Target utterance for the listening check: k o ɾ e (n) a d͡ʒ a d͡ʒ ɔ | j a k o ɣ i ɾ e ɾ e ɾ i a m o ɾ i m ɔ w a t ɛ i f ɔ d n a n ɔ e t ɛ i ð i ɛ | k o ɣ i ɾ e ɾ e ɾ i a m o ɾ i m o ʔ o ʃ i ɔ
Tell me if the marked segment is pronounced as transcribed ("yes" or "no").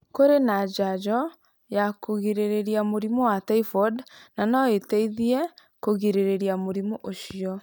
yes